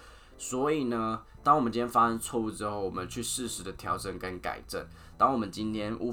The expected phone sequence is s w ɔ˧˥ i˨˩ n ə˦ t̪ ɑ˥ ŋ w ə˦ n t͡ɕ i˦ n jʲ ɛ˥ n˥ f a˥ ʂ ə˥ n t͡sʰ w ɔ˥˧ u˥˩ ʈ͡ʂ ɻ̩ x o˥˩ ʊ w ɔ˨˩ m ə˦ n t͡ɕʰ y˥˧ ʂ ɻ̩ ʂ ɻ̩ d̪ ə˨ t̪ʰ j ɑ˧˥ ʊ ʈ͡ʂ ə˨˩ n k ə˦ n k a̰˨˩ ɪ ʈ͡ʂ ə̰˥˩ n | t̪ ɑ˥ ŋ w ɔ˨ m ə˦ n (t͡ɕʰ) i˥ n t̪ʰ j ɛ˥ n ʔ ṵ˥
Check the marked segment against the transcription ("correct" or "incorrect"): incorrect